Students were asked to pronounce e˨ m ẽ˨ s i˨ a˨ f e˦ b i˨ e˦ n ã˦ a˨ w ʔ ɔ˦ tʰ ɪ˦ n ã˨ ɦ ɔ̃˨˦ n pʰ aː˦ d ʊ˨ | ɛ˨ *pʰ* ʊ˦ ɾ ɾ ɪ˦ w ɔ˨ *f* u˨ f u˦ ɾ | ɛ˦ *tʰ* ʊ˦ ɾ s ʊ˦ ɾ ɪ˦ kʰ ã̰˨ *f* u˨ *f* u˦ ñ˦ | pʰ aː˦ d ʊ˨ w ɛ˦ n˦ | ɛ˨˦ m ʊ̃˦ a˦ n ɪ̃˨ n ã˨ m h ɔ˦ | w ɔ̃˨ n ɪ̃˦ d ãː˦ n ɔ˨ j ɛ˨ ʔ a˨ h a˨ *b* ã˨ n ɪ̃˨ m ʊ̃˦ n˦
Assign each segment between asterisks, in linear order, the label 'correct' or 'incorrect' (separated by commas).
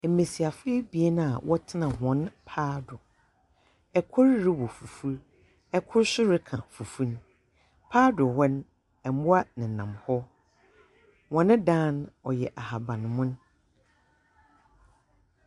incorrect, correct, incorrect, correct, correct, correct